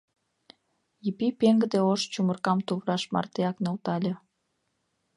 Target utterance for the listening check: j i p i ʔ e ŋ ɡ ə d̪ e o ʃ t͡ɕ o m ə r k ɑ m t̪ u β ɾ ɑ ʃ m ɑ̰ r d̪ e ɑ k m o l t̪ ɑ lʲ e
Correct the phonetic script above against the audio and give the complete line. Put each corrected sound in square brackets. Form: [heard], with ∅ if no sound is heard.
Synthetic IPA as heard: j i p i [p] e ŋ ɡ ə d̪ e o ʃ t͡ɕ [u] m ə r k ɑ m t̪ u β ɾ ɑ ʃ m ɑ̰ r [t̪] e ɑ k [n] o l t̪ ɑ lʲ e